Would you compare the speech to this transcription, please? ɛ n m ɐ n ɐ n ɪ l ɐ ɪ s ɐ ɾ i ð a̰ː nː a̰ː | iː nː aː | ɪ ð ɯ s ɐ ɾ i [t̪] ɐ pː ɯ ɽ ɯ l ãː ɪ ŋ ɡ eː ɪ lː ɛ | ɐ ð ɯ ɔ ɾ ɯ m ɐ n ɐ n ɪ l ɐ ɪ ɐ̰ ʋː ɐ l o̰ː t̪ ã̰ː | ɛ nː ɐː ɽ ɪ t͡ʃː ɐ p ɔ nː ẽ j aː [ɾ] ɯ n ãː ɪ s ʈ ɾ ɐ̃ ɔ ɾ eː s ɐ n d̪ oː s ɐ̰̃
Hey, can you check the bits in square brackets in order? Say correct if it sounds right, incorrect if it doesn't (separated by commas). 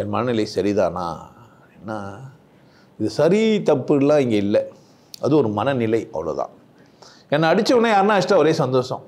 correct, correct